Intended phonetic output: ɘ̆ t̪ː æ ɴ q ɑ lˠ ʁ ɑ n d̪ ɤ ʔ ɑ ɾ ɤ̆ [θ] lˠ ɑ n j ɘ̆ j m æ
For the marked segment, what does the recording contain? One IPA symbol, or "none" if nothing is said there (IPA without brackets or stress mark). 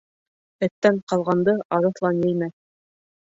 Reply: θ